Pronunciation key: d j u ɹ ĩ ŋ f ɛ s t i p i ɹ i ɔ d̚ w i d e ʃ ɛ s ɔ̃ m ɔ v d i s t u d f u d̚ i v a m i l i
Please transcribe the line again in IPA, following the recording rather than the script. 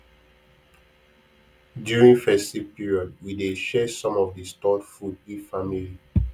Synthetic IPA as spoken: d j u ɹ ĩ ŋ f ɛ s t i p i ɹ i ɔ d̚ w i d e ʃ ɛ s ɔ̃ m ɔ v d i s t ɔ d f u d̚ i f a m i l i